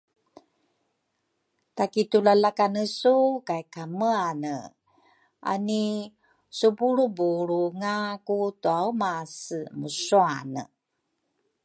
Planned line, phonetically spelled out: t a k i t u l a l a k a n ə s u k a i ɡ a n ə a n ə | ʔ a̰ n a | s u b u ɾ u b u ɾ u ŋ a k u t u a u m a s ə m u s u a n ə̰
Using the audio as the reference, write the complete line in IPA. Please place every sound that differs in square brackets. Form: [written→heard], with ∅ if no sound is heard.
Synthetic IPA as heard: t a k i t u l a l a k a n ə s u k a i [ɡ→k] a [n→m] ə a n ə | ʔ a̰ n [a→i] | s u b u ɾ u b u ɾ u ŋ a k u t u a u m a s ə m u s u a n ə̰

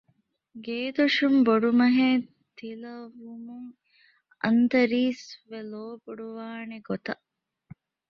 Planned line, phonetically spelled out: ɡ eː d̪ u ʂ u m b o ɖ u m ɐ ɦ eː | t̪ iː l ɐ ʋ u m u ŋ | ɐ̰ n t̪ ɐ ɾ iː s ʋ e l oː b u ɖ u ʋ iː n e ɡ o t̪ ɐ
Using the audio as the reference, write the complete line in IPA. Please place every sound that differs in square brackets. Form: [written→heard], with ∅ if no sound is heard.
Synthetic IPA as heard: ɡ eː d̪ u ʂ u m b o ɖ u m ɐ ɦ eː | t̪ [iː→i] l ɐ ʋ u m u ŋ | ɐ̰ n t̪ ɐ ɾ iː s ʋ e l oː b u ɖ u ʋ [iː→aː] n e ɡ o t̪ ɐ

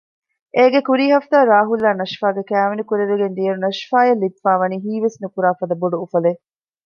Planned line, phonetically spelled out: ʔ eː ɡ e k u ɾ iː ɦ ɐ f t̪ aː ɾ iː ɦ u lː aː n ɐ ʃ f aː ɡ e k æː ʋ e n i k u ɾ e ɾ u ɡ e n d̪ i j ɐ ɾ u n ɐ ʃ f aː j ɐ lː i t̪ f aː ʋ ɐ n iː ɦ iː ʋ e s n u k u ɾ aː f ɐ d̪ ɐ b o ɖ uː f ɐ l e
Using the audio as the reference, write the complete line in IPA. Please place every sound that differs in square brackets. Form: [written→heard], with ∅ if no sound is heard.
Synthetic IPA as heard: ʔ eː ɡ e k u ɾ iː ɦ ɐ f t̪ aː ɾ [iː→aː] ɦ u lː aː n ɐ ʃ f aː ɡ e k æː ʋ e n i k u ɾ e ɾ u ɡ e n d̪ i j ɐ ɾ u n ɐ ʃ f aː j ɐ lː i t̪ f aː ʋ ɐ n iː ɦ iː ʋ e s n u k u ɾ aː f ɐ d̪ ɐ b o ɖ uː f ɐ l e

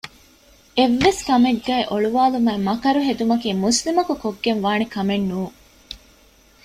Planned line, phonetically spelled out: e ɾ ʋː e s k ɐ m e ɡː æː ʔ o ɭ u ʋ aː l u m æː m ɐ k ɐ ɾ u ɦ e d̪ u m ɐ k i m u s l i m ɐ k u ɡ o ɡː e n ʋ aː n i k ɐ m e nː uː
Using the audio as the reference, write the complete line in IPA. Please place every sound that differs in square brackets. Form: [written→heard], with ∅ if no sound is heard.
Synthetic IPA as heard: e [ɾ→∅] ʋː e s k ɐ m e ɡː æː ʔ o ɭ u ʋ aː l u m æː m ɐ k ɐ ɾ u ɦ e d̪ u m ɐ k [i→iː] m u s l i m ɐ k u [ɡ→k] o ɡː e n ʋ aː n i k ɐ m e nː uː

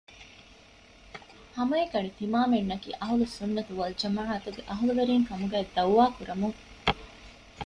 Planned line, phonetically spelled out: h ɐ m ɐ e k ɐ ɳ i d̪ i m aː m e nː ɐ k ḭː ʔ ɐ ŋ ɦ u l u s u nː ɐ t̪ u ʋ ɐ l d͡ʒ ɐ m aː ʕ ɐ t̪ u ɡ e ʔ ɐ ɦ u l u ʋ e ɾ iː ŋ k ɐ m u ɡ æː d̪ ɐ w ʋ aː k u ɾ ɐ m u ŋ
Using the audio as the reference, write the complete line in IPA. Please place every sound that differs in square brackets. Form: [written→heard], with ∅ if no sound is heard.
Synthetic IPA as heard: h ɐ m ɐ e k ɐ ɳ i [d̪→t̪] i m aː m e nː ɐ k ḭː ʔ ɐ [ŋ→∅] ɦ u l u s u nː ɐ t̪ u ʋ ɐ l d͡ʒ ɐ m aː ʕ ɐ t̪ u ɡ e ʔ ɐ ɦ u l u ʋ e ɾ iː ŋ k ɐ m u ɡ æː d̪ ɐ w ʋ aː k u ɾ ɐ m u ŋ

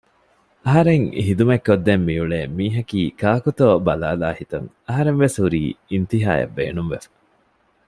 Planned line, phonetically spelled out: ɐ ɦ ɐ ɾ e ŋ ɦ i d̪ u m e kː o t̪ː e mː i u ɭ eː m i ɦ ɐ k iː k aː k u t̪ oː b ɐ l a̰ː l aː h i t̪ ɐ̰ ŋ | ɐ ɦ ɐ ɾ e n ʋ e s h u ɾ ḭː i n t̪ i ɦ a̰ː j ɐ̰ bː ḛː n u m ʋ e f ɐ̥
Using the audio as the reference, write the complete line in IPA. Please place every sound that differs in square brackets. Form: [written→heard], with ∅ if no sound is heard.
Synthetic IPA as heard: ɐ ɦ ɐ ɾ e ŋ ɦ i d̪ u m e kː o [t̪ː→d̪ː] e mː i u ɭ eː m [i→iː] ɦ ɐ k iː k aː k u t̪ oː b ɐ l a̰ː l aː h i t̪ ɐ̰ ŋ | ɐ ɦ ɐ ɾ e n ʋ e s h u ɾ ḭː i n t̪ i ɦ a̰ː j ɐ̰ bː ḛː n u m ʋ e f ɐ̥

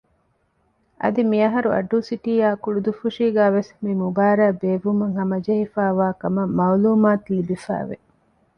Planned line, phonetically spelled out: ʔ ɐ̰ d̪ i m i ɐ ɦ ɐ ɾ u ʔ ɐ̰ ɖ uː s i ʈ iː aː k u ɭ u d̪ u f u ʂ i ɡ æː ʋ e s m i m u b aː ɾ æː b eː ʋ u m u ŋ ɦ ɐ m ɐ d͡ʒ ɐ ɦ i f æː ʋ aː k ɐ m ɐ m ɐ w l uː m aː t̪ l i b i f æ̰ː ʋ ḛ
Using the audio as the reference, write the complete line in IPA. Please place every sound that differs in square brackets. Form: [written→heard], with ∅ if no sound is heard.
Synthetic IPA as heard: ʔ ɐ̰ d̪ i m i ɐ ɦ ɐ ɾ u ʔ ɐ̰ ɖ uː s i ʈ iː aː k u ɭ u d̪ u f u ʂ [i→iː] ɡ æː ʋ e s m i m u b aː ɾ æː b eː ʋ u m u ŋ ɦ ɐ m ɐ d͡ʒ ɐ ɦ i f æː ʋ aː k ɐ m ɐ m ɐ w l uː m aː t̪ l i b i f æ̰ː ʋ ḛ

